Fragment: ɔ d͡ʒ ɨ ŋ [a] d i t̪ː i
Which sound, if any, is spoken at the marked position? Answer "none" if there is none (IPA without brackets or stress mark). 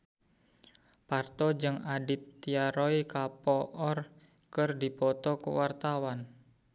a